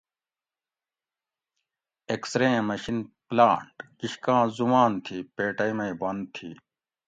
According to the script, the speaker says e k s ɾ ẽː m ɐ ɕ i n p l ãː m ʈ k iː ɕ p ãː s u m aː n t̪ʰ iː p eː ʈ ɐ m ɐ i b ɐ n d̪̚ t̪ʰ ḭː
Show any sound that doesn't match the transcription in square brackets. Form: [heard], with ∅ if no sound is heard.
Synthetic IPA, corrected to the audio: e k s ɾ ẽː m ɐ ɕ i n p l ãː [ɳ] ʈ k [i] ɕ [k] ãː [z] u m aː n t̪ʰ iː p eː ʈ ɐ m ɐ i b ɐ n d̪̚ t̪ʰ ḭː